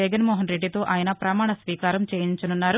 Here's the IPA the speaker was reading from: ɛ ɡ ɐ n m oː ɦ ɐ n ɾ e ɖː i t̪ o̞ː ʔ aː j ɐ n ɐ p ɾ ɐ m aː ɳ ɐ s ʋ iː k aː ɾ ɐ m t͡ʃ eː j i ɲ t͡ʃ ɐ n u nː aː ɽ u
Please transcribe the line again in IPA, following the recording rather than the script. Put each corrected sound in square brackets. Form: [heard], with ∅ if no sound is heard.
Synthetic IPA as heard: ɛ ɡ ɐ n m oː ɦ ɐ n ɾ e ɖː i t̪ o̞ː ʔ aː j ɐ n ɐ p ɾ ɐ m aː ɳ ɐ s ʋ iː k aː ɾ ɐ m t͡ʃ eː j i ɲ t͡ʃ ɐ n u nː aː [ɾ] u